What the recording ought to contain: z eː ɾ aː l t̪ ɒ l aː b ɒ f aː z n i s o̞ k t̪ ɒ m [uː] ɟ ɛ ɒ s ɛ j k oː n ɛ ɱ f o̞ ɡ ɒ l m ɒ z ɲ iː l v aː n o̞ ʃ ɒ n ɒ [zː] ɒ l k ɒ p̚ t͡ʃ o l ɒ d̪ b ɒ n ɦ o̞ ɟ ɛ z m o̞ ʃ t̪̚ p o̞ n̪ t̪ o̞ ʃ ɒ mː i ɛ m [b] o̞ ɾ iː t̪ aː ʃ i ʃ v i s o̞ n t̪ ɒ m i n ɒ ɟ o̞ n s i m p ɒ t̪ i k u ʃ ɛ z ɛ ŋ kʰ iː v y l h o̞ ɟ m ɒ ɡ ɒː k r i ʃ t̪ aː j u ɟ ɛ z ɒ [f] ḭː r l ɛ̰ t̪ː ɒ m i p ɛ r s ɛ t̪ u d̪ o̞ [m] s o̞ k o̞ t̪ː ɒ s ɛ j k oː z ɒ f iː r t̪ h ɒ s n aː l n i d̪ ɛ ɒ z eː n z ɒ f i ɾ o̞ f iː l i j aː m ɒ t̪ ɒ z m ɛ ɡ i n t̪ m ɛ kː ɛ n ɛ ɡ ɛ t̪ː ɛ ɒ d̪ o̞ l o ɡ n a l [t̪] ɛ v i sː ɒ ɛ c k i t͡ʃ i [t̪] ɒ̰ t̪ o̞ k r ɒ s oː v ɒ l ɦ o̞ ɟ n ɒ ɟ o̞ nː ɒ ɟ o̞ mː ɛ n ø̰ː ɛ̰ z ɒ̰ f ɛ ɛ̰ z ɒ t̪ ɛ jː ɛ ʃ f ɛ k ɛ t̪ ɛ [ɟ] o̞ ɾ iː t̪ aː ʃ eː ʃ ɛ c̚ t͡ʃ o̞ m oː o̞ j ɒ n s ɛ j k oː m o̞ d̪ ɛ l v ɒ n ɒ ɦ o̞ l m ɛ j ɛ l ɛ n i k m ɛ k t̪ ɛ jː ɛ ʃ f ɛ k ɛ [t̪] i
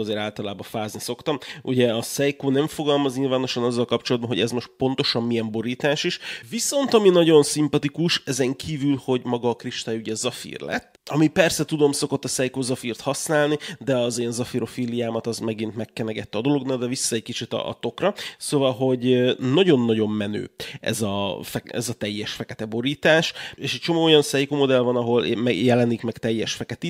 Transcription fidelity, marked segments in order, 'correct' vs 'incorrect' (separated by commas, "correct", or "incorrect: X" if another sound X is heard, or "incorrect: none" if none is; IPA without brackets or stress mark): incorrect: u, correct, correct, correct, correct, incorrect: d̪, correct, incorrect: b, correct